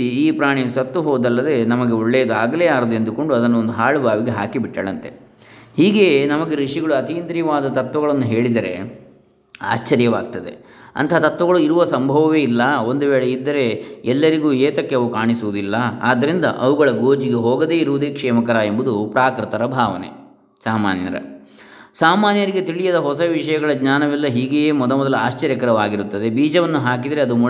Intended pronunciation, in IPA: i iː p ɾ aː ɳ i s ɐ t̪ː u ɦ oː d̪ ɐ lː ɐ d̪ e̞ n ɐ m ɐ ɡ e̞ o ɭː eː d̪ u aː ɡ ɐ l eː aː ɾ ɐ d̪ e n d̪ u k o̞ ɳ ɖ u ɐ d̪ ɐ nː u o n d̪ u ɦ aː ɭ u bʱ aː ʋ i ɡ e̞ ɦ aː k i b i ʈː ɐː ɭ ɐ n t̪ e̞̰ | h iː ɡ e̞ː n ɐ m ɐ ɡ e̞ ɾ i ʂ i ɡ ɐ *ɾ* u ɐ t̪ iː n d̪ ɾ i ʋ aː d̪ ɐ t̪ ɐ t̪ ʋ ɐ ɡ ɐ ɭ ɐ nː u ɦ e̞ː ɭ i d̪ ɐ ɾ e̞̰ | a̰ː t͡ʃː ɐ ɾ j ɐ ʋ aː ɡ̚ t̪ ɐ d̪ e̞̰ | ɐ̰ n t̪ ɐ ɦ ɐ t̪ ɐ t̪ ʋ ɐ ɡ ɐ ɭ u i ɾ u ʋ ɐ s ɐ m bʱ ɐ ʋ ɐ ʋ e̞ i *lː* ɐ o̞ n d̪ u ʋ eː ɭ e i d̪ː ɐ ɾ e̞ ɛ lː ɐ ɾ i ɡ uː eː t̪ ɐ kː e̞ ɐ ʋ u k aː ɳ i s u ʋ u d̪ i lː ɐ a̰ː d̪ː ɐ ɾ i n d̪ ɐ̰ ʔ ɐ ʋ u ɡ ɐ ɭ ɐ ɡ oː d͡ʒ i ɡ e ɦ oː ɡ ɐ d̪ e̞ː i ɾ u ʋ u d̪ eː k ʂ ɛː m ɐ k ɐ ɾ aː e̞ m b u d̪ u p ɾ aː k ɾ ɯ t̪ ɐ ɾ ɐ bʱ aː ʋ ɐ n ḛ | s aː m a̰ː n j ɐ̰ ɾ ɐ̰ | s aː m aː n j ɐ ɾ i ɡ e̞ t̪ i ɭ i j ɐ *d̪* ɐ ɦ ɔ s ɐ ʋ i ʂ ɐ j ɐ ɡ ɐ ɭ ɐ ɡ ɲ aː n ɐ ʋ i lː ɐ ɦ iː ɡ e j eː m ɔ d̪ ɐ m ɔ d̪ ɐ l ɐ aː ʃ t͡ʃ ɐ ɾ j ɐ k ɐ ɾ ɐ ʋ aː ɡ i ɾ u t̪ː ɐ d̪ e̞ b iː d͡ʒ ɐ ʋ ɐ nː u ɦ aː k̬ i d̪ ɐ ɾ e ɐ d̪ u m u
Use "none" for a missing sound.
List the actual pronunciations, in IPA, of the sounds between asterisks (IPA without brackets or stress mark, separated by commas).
ɭ, lː, d̪